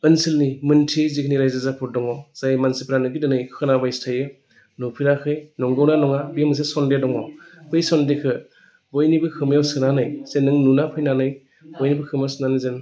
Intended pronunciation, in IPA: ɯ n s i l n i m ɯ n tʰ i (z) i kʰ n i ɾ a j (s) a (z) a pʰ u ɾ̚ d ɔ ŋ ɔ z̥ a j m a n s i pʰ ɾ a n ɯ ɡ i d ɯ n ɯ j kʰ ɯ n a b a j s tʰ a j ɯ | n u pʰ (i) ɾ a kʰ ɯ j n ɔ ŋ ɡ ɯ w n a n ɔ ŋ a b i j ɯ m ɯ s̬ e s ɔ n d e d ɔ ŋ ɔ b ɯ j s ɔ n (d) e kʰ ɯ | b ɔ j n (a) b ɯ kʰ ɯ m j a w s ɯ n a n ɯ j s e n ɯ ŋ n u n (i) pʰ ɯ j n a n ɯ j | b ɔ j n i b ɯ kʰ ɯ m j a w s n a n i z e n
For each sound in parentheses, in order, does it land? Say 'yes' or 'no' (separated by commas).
yes, no, yes, yes, yes, no, no